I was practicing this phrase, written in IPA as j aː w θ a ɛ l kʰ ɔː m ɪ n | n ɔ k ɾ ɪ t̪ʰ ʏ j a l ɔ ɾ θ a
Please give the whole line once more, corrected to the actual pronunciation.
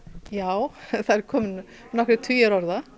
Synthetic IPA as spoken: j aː w θ a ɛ ɾ kʰ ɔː m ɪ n | n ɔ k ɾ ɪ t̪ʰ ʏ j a ɾ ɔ ɾ ð a

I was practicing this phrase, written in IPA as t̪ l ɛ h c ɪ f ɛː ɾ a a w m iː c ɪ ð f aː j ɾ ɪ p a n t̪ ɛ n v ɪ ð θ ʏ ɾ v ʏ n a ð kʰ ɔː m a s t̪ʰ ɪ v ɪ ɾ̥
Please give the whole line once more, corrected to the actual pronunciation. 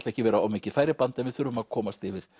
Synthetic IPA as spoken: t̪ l ɛ h c ɪ v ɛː ɾ a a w m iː c ɪ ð f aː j ɾ ɪ p a n t̪ ɛ n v ɪ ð θ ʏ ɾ v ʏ m a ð kʰ ɔː m a s t̪ ɪ v ɪ ɾ̥

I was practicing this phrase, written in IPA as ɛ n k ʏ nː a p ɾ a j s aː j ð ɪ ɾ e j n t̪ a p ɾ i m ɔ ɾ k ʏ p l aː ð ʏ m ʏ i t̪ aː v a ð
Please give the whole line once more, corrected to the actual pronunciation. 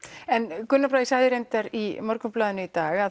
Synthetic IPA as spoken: ɛ n k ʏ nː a p ɾ a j s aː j ð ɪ ɾ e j n t̪ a ɾ i m ɔ ɾ k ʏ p l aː ð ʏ n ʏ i t̪ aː ɣ a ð

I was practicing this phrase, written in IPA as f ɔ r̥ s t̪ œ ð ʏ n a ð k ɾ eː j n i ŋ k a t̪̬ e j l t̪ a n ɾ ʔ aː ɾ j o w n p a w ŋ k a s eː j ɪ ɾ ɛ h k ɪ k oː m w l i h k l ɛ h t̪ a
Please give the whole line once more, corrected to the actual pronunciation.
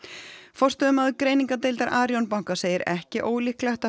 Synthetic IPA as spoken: f ɔ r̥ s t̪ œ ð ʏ m a ð k ɾ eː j n i ŋ k a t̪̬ e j l t̪ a ɾ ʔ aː ɾ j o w n p a w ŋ k a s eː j ɪ ɾ ɛ h c ɪ ʔ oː w l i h k l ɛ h t̪ a

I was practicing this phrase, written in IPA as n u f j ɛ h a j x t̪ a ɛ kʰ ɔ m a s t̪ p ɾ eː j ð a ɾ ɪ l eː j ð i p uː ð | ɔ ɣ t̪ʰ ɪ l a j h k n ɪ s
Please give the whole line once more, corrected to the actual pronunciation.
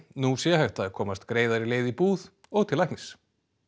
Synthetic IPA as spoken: n u s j ɛ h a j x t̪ a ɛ kʰ ɔː m a s t̪ k ɾ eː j ð a ɾ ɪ l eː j ð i p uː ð | ɔ ɣ t̪ʰ ɪ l a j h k n ɪ s

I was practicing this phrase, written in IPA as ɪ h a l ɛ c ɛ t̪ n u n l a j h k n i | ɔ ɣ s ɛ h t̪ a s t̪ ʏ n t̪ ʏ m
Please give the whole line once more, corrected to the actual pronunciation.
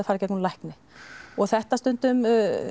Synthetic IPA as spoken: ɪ f a ɾ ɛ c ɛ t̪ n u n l a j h k n ɪ | ɔ ɣ θ ɛ h t̪ a s t̪ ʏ n t̪ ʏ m

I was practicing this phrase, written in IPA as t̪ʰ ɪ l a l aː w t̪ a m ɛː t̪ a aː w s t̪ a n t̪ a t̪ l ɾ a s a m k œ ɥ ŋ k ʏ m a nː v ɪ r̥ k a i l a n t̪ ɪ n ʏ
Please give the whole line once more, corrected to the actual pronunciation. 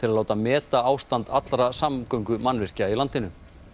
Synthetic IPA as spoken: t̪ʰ ɪ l a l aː w t̪ a m ɛː t̪ a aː w s t̪ a n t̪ a t̪ l ɾ a s a m k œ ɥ ŋ k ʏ m a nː v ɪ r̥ c a i l a n t̪ ɪ n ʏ

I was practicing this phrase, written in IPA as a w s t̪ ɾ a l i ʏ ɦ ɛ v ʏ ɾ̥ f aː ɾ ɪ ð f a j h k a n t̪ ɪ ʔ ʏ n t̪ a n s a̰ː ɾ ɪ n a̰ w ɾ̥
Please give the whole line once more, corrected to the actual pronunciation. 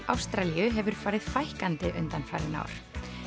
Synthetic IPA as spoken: a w s t̪ ɾ a l i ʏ ɦ ɛ v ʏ ɾ̥ f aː ɾ ɪ ð f a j h k a n t̪ ɪ ʔ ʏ n t̪ a n f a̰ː ɾ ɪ n a̰ w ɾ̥

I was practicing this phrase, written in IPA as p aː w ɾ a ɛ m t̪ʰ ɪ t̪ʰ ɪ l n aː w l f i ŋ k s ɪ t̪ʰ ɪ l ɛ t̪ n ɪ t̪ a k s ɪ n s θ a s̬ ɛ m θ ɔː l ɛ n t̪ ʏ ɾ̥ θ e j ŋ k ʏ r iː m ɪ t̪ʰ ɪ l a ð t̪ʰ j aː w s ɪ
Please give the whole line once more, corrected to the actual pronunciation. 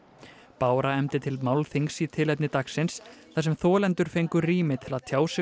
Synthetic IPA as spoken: p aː w ɾ a ɛ m t̪ ɪ t̪ʰ ɪ l m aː w l θ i ŋ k s i t̪ʰ ɪ l ɛ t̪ n ɪ t̪ a k s ɪ n s θ a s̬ ɛ m θ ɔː l ɛ n t̪ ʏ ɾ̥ f e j ŋ k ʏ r iː m ɪ t̪ʰ ɪ l a ð t̪ʰ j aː w s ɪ

